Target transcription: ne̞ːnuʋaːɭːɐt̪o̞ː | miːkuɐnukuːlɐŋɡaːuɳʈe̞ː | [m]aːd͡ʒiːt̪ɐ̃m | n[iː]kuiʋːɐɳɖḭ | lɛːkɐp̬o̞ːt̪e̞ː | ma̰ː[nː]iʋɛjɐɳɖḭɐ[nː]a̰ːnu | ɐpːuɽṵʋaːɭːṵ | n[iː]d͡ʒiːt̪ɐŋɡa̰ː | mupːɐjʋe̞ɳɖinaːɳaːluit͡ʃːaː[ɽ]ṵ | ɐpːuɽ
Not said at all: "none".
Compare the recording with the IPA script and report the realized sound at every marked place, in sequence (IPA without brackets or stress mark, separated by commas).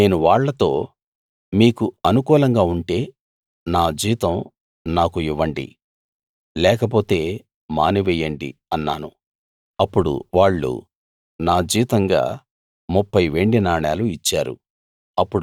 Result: n, aː, n, nː, aː, ɾ